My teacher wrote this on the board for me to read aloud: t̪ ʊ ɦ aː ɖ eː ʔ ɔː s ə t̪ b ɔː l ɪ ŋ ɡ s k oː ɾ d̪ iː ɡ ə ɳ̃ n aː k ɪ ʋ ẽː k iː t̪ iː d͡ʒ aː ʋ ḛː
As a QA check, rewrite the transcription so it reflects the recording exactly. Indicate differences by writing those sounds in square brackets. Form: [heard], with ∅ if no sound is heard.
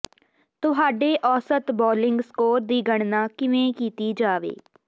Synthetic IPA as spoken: t̪ ʊ ɦ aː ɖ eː ʔ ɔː s ə t̪ b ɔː l ɪ ŋ ɡ s k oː ɾ d̪ iː ɡ ə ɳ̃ n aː k ɪ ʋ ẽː k iː t̪ iː d͡ʒ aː ʋ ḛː

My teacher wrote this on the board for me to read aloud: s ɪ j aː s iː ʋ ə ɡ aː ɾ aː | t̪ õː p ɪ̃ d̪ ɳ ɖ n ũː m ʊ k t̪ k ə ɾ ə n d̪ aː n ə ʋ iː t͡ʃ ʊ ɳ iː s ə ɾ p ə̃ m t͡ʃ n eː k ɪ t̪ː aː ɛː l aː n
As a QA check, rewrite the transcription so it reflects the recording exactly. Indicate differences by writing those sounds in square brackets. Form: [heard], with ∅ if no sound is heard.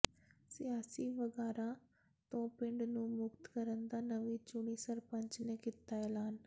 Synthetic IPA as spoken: s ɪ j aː s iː ʋ ə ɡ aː ɾ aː | t̪ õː p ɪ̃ [∅] ɳ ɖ n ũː m ʊ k t̪ k ə ɾ ə n d̪ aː n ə ʋ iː t͡ʃ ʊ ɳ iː s ə ɾ p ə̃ [ɲ] t͡ʃ n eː k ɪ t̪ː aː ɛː l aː n

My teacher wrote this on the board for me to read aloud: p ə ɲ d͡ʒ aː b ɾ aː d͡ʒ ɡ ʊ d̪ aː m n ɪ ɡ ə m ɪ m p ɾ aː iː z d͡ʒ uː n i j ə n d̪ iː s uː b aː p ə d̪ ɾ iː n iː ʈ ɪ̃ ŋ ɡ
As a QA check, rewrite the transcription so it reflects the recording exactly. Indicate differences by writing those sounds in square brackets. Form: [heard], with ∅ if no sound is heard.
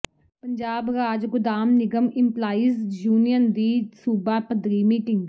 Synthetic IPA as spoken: p ə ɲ d͡ʒ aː b ɾ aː d͡ʒ ɡ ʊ d̪ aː m n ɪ ɡ ə m ɪ m p [l] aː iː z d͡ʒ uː n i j ə n d̪ iː s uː b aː p ə d̪ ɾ iː [m] iː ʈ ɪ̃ ŋ ɡ

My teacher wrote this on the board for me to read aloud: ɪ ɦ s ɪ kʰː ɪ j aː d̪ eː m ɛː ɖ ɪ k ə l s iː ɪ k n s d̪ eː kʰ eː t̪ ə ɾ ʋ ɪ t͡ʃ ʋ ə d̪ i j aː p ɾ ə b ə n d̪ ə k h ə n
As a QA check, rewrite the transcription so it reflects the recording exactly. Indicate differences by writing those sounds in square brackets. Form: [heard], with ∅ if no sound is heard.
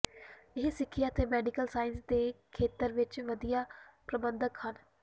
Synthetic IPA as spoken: ɪ ɦ s ɪ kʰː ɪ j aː [t̪] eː m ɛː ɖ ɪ k ə l s [aː] ɪ [∅] n s d̪ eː kʰ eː t̪ ə ɾ ʋ ɪ t͡ʃ ʋ ə d̪ i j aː p ɾ ə b ə n d̪ ə k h ə n

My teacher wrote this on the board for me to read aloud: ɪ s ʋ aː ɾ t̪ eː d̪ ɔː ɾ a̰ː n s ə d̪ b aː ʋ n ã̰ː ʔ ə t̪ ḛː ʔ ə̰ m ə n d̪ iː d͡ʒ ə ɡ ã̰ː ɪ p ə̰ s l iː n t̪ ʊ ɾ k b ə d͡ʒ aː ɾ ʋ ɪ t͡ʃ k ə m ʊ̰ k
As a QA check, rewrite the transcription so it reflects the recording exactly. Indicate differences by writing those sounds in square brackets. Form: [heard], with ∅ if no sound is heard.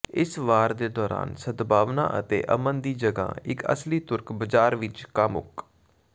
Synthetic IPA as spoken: ɪ s ʋ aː ɾ [d̪] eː d̪ ɔː ɾ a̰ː n s ə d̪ b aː ʋ n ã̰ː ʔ ə t̪ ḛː ʔ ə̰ m ə n d̪ iː d͡ʒ ə ɡ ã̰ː ɪ [k] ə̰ s l iː [∅] t̪ ʊ ɾ k b ə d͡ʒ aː ɾ ʋ ɪ t͡ʃ k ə m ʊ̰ k

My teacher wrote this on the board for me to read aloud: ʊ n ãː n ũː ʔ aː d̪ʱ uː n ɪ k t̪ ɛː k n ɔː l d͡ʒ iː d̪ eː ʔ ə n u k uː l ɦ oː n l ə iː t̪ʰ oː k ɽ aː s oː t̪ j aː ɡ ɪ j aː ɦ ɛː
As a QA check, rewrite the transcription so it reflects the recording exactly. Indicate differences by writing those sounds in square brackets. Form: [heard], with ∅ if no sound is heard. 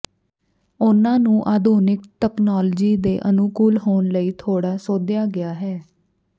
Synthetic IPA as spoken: ʊ n ãː n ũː ʔ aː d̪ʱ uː n ɪ k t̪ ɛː k n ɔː l d͡ʒ iː d̪ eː ʔ ə n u k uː l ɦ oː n l ə iː t̪ʰ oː [∅] ɽ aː s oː [d̪] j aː ɡ ɪ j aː ɦ ɛː

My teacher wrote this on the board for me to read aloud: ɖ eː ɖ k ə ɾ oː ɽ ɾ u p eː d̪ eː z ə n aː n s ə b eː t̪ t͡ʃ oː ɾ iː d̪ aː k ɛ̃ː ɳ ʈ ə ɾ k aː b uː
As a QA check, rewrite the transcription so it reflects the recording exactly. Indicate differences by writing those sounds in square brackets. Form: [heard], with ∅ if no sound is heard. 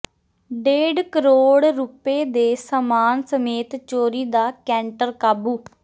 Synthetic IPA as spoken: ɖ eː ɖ k ə ɾ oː ɽ ɾ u p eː d̪ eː [s] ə [m] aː n s ə [m] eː t̪ t͡ʃ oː ɾ iː d̪ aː k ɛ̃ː ɳ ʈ ə ɾ k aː b uː

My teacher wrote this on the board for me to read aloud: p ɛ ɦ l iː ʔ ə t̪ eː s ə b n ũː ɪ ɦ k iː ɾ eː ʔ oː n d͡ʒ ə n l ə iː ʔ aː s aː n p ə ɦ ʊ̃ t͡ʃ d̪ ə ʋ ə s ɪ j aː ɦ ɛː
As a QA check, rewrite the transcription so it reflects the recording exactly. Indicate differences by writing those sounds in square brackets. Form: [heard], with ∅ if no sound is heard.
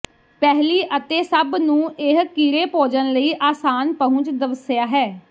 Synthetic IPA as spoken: p ɛ ɦ l iː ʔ ə t̪ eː s ə b n ũː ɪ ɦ k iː ɾ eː [p] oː [∅] d͡ʒ ə n l ə iː ʔ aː s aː n p ə ɦ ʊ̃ t͡ʃ d̪ ə ʋ ə s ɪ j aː ɦ ɛː

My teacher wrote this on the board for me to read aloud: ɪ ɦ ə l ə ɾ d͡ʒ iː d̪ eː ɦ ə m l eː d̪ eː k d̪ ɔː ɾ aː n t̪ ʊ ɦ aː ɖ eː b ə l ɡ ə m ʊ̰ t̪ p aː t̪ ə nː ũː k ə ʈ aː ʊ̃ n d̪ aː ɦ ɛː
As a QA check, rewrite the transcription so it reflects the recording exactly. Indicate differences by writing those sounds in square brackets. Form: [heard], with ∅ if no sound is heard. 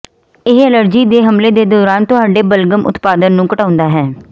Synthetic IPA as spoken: ɪ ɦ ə l ə ɾ d͡ʒ iː d̪ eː ɦ ə m l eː d̪ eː [∅] d̪ ɔː ɾ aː n t̪ ʊ ɦ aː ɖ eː b ə l ɡ ə m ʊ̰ t̪ p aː [d̪] ə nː ũː k ə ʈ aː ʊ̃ n d̪ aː ɦ ɛː

